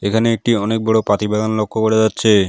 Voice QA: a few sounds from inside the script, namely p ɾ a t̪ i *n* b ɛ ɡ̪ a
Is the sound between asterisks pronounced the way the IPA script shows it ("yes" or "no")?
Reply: no